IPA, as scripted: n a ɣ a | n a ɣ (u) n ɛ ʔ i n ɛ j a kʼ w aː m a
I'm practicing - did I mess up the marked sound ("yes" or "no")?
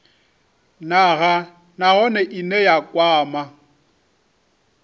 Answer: yes